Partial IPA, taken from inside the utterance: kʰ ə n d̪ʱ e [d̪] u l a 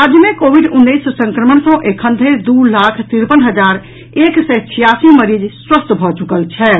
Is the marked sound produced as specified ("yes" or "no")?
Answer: yes